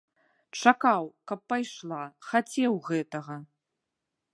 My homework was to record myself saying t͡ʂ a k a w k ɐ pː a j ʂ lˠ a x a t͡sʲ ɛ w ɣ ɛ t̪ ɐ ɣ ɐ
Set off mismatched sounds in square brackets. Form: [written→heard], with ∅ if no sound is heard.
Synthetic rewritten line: t͡ʂ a k a w k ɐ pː a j ʂ lˠ a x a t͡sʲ ɛ w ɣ ɛ t̪ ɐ ɣ ɐ